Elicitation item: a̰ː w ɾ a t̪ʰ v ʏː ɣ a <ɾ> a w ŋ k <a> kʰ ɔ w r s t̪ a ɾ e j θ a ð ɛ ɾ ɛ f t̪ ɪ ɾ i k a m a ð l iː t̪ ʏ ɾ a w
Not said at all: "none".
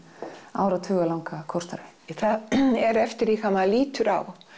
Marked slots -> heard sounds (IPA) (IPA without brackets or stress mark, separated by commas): l, a